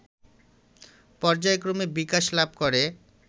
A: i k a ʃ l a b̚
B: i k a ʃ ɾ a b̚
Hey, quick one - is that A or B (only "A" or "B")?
A